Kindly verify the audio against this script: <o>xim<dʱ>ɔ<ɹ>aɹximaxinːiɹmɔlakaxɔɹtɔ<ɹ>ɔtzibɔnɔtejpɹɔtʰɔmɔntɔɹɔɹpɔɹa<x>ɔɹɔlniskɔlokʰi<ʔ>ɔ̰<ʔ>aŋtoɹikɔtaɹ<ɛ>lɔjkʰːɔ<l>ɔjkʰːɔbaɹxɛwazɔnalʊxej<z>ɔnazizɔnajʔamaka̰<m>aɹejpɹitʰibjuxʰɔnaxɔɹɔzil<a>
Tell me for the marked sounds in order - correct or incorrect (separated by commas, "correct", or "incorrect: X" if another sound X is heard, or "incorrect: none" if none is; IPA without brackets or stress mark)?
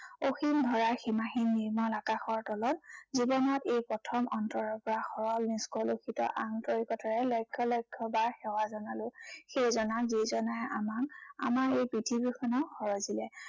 correct, correct, correct, incorrect: l, correct, incorrect: t, correct, correct, correct, correct, correct, incorrect: ɛ